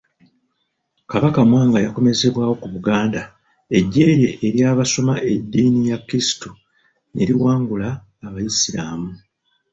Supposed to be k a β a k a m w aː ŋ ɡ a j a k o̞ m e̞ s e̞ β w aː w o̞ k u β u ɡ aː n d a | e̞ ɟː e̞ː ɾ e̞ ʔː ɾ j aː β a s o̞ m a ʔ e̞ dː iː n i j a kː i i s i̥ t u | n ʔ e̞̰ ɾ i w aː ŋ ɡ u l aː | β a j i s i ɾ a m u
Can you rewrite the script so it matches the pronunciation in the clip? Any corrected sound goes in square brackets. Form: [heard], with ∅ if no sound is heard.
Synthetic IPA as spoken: k a β a k a m w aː ŋ ɡ a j a k o̞ m e̞ [z] e̞ β w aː w o̞ k u β u ɡ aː n d a | e̞ ɟː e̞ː ɾ e̞ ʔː ɾ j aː β a s o̞ m a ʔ e̞ dː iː n i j a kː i i s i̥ t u | n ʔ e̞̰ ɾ i w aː ŋ ɡ u l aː | β a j i s i ɾ a m u